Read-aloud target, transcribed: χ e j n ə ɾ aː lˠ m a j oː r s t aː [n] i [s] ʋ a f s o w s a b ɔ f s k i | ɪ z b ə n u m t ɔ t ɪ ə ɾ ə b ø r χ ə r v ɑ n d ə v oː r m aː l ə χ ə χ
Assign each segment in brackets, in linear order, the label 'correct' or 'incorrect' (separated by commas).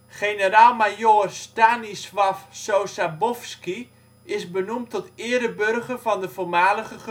correct, correct